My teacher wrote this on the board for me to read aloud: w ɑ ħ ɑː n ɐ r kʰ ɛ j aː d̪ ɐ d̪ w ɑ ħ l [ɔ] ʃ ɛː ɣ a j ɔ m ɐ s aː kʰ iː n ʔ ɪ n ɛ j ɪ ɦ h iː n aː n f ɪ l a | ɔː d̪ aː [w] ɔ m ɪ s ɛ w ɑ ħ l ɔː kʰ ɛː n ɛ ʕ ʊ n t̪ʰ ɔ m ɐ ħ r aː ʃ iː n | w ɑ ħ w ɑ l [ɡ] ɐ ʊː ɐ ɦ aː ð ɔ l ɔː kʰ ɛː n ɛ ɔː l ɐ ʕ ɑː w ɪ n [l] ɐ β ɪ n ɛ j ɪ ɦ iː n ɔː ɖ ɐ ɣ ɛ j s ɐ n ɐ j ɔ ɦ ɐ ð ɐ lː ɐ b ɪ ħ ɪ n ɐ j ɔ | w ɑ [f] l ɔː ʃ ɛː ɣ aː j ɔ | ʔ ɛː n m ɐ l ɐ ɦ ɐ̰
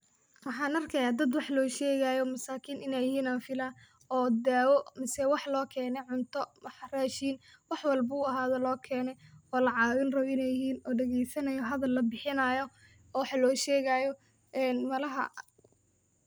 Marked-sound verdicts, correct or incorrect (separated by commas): incorrect, correct, incorrect, incorrect, incorrect